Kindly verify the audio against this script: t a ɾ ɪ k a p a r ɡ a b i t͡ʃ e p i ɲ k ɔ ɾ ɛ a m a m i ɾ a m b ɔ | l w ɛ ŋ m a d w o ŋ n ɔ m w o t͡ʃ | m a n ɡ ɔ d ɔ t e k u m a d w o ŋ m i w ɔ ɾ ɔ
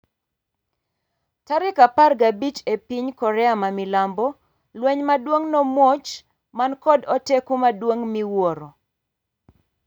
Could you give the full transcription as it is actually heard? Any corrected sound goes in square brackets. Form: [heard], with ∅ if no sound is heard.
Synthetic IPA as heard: t a ɾ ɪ k a p a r ɡ a b i t͡ʃ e p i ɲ k ɔ ɾ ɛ a m a m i [l] a m b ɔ | l w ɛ [ɲ] m a d w o ŋ n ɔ m w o t͡ʃ | m a n [k] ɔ d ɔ t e k u m a d w o ŋ m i w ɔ ɾ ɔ

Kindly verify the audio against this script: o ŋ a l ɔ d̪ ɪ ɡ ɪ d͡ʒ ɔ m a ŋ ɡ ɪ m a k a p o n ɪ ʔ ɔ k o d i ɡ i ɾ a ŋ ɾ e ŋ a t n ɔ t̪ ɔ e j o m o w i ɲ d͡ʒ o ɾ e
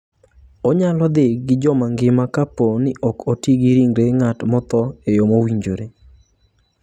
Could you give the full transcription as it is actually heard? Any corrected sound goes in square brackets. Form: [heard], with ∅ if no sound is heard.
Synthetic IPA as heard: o [ɲ] a l ɔ d̪ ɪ ɡ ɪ d͡ʒ ɔ m a ŋ ɡ ɪ m a k a p o n ɪ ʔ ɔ k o [t] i ɡ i ɾ [i] ŋ ɾ e ŋ a t [m] ɔ t̪ ɔ e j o m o w i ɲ d͡ʒ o ɾ e

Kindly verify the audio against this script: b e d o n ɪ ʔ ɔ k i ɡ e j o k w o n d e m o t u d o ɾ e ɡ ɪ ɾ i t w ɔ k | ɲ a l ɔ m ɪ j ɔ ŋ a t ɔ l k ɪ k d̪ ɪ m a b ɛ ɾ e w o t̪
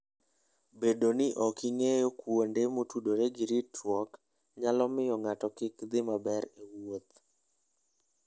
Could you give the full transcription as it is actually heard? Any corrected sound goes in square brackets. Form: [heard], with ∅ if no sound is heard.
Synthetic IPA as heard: b e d o n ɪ ʔ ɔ k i [ŋ] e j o k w o n d e m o t u d o ɾ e ɡ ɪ ɾ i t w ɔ k | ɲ a l ɔ m ɪ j ɔ ŋ a t ɔ [∅] k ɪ k d̪ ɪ m a b ɛ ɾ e w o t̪

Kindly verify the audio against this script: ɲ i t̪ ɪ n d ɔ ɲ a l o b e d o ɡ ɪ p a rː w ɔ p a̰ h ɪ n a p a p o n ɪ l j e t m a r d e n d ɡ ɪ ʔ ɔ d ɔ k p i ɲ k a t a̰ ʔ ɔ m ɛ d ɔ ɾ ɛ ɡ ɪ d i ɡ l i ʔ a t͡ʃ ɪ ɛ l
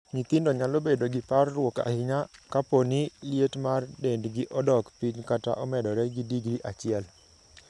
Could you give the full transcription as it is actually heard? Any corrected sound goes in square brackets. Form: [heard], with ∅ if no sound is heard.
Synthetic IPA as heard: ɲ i t̪ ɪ n d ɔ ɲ a l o b e d o ɡ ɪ p a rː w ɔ [k] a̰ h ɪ [ɲ] a [k] a p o n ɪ l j e t m a r d e n d ɡ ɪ ʔ ɔ d ɔ k p i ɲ k a t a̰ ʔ ɔ m ɛ d ɔ ɾ ɛ ɡ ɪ d i ɡ [ɾ] i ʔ a t͡ʃ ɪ ɛ l

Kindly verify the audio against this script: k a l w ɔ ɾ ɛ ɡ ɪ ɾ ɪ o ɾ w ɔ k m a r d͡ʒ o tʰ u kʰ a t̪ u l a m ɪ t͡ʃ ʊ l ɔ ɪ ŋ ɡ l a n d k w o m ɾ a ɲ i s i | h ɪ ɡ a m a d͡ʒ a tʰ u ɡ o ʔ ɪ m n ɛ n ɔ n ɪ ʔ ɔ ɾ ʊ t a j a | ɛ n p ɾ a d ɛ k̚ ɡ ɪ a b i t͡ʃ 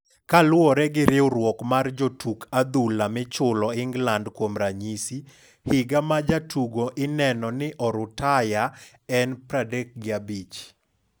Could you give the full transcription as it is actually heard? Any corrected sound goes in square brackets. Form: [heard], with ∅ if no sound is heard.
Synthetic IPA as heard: k a l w ɔ ɾ ɛ ɡ ɪ ɾ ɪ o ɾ w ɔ k m a r d͡ʒ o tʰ u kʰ a [d̪] u l a m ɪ t͡ʃ ʊ l ɔ ɪ ŋ ɡ l a n d k w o m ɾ a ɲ i s i | h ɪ ɡ a m a d͡ʒ a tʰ u ɡ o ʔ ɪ [∅] n ɛ n ɔ n ɪ ʔ ɔ ɾ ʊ t a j a | ɛ n p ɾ a d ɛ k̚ ɡ ɪ a b i t͡ʃ

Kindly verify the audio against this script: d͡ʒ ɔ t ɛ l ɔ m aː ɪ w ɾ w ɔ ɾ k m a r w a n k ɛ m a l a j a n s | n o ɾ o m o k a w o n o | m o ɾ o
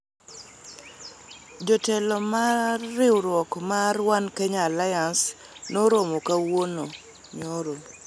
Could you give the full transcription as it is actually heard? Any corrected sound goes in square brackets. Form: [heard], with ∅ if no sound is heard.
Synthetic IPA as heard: d͡ʒ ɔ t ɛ l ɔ m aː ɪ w ɾ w ɔ [∅] k m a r w a n k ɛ [ɲ] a l a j a n s | n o ɾ o m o k a w o n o | [ɲ] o ɾ o

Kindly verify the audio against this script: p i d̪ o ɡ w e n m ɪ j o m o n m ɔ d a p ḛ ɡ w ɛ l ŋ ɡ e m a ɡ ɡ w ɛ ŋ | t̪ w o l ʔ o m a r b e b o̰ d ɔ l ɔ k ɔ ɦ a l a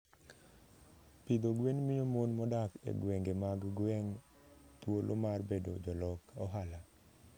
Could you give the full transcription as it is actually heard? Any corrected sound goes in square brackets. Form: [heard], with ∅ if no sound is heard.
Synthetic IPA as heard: p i d̪ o ɡ w e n m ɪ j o m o n m ɔ d a [k] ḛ ɡ w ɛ [∅] ŋ ɡ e m a ɡ ɡ w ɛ ŋ | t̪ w o l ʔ o m a r b e [d] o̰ [d͡ʒ] ɔ l ɔ k ɔ ɦ a l a

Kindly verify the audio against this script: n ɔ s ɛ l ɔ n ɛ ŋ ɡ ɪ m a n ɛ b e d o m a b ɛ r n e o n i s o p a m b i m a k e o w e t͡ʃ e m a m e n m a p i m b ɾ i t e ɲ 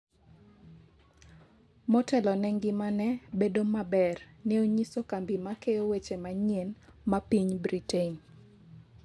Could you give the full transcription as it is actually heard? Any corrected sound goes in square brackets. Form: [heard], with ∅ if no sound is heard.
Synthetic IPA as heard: [m] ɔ [t] ɛ l ɔ n ɛ ŋ ɡ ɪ m a n ɛ b e d o m a b ɛ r n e o [ɲ] i s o [k] a m b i m a k e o w e t͡ʃ e m a [ɲ] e n m a p i [ɲ] b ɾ i t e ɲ

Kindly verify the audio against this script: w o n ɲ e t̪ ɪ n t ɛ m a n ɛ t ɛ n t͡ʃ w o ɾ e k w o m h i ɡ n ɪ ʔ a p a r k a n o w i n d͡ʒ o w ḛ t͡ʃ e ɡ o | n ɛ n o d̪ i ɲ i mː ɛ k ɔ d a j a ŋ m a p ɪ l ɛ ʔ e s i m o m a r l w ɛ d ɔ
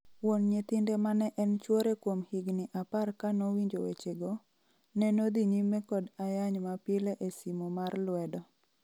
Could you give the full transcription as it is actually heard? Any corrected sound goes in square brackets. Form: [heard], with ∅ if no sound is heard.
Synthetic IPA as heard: w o n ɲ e t̪ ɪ n [d] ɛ m a n ɛ [ʔ] ɛ n t͡ʃ w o ɾ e k w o m h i ɡ n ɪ ʔ a p a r k a n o w i [ɲ] d͡ʒ o w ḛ t͡ʃ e ɡ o | n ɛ n o d̪ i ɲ i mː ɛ k ɔ d a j a [ɲ] m a p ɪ l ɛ ʔ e s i m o m a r l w ɛ d ɔ

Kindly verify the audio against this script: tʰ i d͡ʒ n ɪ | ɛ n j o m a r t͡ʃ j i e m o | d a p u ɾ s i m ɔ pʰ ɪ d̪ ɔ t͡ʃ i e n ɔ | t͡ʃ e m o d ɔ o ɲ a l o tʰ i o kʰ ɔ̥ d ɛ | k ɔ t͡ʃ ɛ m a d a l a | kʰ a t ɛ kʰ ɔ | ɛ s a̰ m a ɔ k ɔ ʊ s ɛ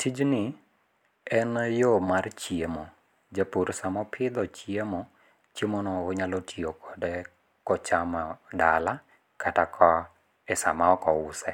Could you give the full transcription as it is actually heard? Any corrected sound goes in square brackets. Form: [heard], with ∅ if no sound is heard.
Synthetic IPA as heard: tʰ i d͡ʒ n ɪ | ɛ n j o m a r t͡ʃ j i e m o | [d͡ʒ] a p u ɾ s [a] m ɔ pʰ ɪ d̪ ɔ t͡ʃ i e [m] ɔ | t͡ʃ e m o [n] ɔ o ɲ a l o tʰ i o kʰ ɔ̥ d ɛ | k ɔ t͡ʃ [a] m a d a l a | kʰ a t [a] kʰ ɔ | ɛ s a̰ m a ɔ k ɔ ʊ s ɛ

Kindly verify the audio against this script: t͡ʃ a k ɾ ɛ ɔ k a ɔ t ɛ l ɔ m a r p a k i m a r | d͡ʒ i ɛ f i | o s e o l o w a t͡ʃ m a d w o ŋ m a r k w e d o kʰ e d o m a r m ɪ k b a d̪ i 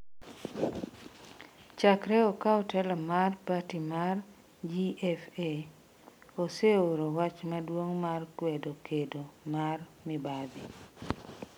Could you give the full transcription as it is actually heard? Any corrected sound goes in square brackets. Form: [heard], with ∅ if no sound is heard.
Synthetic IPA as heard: t͡ʃ a k ɾ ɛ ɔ k a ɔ t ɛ l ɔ m a r p a [t] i m a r | d͡ʒ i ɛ f [e] | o s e o [ɾ] o w a t͡ʃ m a d w o ŋ m a r k w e d o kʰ e d o m a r m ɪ [∅] b a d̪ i

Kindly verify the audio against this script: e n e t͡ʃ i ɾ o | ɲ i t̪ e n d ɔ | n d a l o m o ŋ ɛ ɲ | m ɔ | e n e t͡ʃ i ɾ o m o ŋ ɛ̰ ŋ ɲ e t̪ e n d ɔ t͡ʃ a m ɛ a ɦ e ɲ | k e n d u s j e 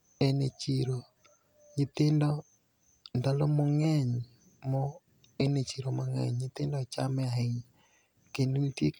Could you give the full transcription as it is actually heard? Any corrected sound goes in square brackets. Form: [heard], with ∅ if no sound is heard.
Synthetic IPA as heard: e n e t͡ʃ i ɾ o | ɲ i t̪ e n d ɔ | n d a l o m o ŋ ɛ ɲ | m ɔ | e n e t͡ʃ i ɾ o m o ŋ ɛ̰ [ɲ] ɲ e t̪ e n d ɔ t͡ʃ a m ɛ a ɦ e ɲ | k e n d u [t] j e

